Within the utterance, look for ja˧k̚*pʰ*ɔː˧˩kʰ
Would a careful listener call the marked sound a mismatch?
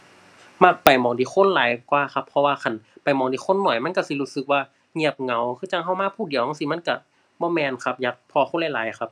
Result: no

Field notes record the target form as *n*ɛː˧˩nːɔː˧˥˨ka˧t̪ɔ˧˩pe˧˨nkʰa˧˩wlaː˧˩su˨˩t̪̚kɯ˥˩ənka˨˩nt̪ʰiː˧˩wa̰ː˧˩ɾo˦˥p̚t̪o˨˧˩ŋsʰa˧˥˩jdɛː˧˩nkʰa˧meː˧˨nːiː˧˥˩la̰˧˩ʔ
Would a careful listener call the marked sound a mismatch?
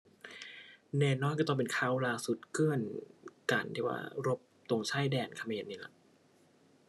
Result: no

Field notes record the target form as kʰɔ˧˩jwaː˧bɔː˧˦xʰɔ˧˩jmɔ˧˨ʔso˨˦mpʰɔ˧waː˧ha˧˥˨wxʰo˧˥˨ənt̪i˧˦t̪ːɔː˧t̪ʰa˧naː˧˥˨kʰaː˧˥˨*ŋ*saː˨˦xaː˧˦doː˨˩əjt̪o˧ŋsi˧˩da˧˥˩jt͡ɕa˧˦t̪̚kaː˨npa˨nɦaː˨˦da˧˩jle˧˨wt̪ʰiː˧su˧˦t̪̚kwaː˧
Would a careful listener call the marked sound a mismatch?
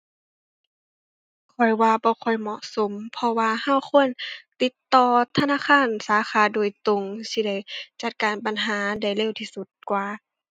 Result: yes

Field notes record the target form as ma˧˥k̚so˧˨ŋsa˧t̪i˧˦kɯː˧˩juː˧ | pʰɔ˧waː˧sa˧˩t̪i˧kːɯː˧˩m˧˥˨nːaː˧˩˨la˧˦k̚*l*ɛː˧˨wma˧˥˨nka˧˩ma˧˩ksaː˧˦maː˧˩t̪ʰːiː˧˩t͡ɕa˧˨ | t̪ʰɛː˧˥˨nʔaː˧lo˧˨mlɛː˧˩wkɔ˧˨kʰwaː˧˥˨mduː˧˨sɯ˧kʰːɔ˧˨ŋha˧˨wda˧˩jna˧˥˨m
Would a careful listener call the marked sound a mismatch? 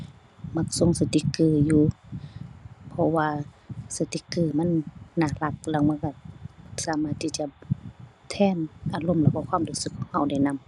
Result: no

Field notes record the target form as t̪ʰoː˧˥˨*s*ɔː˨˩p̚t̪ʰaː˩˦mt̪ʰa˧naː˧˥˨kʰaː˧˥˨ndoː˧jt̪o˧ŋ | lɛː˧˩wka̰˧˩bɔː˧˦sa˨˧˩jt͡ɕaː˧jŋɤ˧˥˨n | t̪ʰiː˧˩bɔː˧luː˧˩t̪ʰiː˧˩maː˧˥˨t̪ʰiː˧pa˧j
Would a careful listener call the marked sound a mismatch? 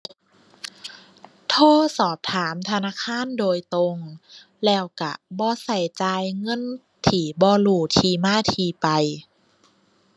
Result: no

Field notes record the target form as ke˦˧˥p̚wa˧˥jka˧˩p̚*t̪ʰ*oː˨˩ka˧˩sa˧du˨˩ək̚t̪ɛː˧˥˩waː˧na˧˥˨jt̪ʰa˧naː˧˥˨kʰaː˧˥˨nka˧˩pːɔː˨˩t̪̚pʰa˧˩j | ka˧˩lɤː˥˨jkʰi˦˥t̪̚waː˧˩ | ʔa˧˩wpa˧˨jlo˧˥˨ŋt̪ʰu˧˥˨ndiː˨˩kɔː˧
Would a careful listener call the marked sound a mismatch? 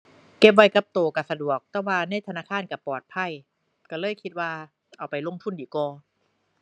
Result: yes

